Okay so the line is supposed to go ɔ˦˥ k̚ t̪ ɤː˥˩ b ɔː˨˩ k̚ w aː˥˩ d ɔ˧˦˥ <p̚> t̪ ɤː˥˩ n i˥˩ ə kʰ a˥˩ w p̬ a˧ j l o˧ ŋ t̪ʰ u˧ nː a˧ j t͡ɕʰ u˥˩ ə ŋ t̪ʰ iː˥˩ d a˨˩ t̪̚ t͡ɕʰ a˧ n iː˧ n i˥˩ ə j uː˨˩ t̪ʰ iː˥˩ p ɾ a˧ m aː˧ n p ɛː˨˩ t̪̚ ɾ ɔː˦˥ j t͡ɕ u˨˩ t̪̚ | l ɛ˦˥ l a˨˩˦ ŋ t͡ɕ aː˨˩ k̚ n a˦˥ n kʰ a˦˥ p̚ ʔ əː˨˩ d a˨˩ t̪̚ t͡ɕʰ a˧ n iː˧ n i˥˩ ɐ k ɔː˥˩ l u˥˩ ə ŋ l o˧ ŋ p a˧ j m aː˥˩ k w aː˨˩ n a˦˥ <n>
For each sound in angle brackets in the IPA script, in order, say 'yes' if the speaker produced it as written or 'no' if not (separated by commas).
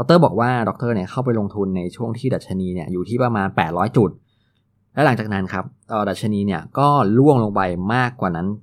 no, yes